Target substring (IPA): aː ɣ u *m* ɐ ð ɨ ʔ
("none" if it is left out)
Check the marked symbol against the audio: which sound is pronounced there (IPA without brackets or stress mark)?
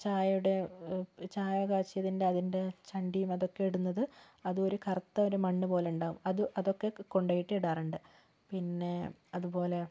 m